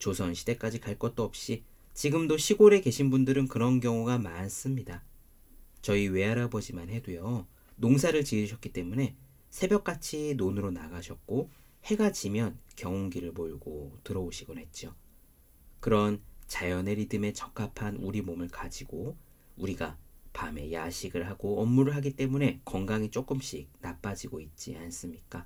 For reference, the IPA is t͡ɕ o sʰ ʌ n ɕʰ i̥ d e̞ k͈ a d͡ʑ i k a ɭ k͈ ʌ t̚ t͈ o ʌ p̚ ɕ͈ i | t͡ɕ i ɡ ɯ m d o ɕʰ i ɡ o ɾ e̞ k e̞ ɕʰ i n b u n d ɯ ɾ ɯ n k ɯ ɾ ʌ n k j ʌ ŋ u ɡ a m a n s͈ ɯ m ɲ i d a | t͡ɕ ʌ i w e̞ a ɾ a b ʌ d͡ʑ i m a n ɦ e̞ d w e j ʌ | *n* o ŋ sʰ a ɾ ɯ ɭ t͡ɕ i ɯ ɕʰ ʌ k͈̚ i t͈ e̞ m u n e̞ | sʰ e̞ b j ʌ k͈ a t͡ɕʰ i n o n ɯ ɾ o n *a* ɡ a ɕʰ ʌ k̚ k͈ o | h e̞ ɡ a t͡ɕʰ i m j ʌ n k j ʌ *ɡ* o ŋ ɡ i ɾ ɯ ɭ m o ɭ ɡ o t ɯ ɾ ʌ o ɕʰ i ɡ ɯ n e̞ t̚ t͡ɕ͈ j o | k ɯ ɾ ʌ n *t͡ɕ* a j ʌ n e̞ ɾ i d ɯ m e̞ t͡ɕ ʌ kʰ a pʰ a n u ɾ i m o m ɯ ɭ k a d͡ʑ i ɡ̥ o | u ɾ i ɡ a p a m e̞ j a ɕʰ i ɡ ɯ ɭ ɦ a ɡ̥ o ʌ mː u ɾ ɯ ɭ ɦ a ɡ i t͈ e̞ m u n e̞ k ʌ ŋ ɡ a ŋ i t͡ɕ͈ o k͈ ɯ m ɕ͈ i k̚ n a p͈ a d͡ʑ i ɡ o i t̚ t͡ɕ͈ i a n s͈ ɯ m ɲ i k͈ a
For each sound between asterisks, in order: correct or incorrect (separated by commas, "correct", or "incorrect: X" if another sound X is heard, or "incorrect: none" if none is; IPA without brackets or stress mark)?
correct, correct, incorrect: ŋ, correct